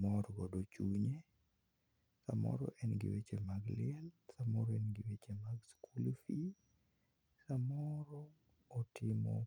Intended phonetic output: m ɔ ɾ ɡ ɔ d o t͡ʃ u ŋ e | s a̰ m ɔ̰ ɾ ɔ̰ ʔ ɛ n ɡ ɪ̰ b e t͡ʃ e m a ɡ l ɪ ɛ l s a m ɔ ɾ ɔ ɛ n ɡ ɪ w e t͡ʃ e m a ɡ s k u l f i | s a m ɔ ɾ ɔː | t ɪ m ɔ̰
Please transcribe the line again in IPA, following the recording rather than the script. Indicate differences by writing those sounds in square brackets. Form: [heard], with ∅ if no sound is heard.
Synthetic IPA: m ɔ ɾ ɡ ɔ d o t͡ʃ u [ɲ] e | s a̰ m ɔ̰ ɾ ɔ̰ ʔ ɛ n ɡ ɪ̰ [w] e t͡ʃ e m a ɡ l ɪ ɛ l s a m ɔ ɾ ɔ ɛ n ɡ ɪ w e t͡ʃ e m a ɡ s k u l f i | s a m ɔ ɾ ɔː | t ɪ m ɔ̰